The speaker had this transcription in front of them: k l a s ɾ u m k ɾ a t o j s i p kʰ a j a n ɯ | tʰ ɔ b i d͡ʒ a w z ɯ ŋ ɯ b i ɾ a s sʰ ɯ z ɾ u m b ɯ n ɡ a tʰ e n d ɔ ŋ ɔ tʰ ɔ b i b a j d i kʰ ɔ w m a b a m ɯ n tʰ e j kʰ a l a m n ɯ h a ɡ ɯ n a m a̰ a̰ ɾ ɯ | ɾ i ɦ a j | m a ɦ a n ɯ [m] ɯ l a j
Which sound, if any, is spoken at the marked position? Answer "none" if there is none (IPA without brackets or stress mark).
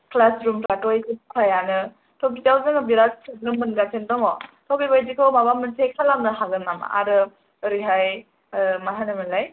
m